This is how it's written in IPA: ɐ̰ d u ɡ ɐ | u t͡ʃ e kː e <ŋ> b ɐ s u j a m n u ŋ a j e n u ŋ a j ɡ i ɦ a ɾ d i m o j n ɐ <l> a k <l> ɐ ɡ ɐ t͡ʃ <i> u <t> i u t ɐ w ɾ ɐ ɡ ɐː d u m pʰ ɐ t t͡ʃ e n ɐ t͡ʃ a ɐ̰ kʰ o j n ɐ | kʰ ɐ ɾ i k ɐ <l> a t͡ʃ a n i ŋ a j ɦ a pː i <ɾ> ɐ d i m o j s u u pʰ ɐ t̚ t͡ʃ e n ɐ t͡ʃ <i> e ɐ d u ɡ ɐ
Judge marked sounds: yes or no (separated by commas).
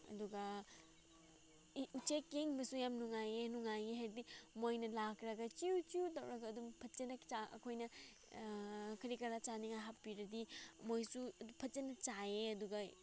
yes, yes, no, yes, no, no, yes, no